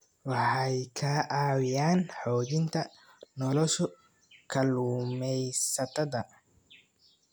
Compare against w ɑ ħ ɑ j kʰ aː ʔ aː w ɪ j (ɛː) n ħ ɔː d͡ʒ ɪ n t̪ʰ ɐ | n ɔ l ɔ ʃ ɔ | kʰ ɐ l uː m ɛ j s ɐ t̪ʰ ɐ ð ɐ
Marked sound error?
yes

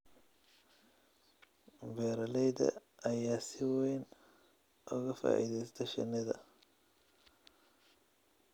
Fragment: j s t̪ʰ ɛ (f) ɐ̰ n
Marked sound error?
yes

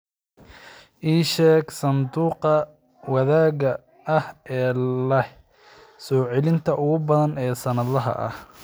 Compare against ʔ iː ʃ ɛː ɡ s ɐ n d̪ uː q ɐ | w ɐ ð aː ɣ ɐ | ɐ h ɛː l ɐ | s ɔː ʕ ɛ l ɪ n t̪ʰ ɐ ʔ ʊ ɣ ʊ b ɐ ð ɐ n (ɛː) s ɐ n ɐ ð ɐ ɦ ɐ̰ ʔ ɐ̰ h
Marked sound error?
no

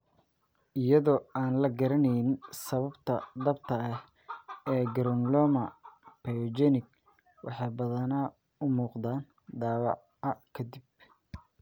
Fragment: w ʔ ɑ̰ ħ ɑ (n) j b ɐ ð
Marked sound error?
yes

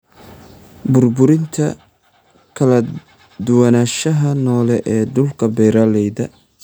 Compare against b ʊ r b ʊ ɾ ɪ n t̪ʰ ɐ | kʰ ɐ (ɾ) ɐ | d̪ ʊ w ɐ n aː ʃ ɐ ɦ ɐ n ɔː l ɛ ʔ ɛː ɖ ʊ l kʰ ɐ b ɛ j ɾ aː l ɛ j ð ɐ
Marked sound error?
yes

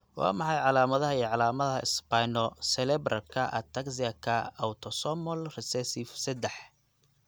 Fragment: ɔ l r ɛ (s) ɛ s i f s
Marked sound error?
no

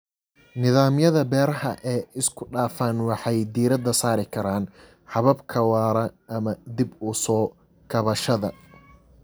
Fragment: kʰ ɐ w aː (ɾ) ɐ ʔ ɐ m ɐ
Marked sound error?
no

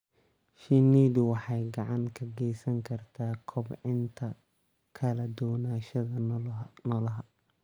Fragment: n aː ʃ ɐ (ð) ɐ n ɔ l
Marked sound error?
no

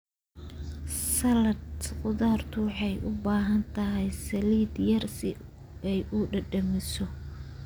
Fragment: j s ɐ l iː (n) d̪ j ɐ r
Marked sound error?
yes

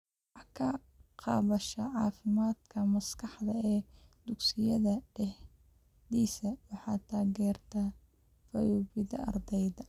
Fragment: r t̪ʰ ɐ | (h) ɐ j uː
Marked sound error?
yes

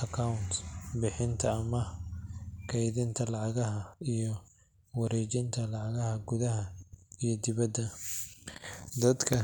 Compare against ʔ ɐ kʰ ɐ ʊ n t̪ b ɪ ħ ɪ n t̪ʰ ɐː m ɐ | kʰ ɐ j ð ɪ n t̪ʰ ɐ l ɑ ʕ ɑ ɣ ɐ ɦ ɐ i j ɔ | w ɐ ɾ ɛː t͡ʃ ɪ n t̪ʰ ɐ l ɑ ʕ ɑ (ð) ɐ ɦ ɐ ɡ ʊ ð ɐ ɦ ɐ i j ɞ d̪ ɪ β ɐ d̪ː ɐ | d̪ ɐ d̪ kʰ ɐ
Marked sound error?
yes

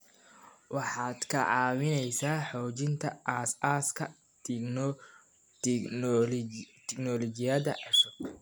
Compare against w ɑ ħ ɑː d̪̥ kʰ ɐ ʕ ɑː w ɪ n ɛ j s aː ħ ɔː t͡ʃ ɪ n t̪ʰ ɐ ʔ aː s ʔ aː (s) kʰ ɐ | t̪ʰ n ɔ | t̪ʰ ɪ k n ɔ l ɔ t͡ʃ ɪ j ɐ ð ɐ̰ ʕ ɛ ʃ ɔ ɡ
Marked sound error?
no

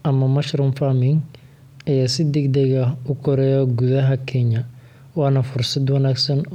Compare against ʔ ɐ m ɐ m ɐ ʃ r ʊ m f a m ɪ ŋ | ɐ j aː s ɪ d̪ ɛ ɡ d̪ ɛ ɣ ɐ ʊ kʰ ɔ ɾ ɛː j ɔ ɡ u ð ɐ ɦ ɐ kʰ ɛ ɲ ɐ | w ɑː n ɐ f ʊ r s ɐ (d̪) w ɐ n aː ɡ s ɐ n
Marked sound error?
no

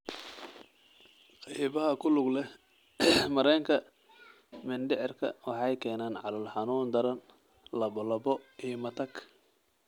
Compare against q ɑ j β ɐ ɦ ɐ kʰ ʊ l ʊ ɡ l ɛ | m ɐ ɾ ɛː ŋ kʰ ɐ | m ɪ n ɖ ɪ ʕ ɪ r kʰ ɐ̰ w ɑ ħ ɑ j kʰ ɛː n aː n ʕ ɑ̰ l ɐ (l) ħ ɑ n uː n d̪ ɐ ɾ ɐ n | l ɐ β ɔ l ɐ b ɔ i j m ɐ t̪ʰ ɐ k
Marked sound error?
no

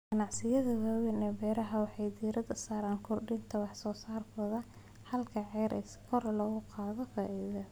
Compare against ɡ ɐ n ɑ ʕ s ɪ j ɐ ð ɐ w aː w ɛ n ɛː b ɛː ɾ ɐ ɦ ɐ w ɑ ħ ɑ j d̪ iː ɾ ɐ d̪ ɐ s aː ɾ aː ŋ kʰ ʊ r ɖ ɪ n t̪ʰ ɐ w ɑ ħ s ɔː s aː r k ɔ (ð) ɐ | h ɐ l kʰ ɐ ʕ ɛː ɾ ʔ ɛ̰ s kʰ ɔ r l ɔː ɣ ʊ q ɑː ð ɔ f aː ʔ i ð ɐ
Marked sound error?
no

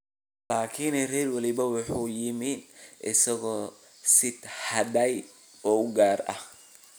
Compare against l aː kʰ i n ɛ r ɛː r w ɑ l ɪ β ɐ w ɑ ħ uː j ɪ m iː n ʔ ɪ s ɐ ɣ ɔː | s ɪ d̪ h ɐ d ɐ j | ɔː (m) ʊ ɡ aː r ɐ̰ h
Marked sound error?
yes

